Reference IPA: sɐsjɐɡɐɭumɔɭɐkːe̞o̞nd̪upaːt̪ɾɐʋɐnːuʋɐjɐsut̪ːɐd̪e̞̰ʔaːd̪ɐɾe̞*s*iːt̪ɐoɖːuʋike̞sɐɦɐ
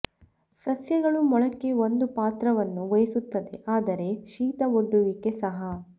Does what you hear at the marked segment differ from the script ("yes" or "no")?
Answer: yes